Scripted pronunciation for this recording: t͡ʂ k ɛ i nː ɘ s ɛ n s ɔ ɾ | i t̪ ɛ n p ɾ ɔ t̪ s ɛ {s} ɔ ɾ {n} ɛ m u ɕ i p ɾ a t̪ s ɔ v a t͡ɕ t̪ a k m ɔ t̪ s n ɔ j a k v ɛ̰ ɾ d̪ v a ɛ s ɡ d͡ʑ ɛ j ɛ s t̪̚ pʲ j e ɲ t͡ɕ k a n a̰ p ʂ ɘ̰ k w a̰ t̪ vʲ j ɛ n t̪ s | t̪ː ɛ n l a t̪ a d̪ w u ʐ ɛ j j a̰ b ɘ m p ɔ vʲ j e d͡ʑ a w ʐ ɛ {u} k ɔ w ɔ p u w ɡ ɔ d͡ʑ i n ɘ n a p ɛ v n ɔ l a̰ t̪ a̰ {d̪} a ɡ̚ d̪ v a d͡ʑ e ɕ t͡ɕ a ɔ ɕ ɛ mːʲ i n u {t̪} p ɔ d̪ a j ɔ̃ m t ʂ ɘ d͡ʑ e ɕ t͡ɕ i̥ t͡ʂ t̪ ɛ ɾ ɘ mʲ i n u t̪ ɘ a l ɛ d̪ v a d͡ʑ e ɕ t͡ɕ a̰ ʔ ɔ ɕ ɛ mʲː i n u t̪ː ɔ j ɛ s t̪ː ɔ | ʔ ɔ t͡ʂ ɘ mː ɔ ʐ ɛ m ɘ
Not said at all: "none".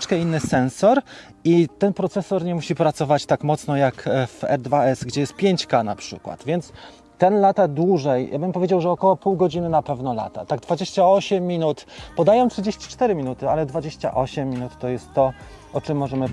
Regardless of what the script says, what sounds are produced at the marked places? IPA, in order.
s, ɲ, ɔ, t̪, t̪

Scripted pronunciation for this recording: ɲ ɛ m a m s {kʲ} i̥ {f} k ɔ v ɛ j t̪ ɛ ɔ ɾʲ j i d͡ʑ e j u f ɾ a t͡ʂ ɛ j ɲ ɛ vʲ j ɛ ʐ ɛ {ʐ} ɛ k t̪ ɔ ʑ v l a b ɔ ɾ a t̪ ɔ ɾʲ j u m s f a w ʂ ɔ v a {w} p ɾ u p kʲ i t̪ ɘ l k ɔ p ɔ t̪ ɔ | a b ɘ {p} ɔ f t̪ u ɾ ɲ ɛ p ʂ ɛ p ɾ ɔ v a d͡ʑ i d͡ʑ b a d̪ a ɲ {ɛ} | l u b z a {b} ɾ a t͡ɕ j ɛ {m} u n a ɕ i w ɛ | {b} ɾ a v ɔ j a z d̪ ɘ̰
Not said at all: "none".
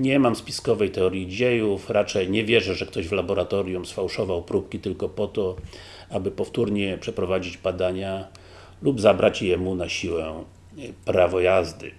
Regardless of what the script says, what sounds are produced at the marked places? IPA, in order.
pʲ, s, ʐ, w, p, a, b, m, p

